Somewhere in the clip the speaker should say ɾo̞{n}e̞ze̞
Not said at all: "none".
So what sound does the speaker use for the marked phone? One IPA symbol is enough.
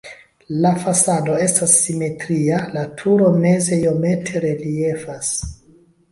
m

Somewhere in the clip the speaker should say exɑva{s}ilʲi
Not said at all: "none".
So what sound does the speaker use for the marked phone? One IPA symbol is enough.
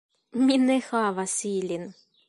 s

